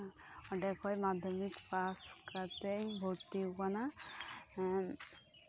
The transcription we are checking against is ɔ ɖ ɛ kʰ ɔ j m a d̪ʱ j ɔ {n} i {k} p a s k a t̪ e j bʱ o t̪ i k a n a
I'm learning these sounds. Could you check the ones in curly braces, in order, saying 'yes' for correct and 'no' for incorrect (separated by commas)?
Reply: no, yes